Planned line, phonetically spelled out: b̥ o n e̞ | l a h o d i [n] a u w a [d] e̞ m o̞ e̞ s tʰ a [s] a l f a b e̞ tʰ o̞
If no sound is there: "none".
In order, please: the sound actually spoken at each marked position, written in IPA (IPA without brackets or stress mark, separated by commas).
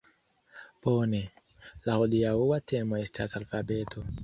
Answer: none, t, s